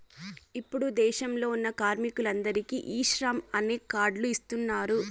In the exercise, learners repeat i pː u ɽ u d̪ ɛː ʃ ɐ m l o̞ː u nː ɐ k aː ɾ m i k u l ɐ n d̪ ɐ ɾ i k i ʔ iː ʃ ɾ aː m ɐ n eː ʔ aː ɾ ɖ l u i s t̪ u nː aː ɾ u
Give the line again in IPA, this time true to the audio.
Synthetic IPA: i pː u ɽ u d̪ ɛː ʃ ɐ m l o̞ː u nː ɐ k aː ɾ m i k u l ɐ n d̪ ɐ ɾ i k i ʔ iː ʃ ɾ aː m ɐ n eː k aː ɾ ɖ l u i s t̪ u nː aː ɾ u